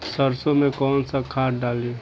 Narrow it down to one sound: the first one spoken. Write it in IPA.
s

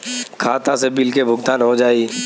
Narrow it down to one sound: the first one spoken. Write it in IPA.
kʰ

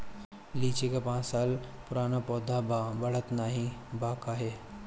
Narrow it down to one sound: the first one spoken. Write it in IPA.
l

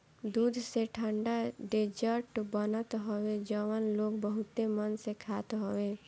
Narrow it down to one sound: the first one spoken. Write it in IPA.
d̪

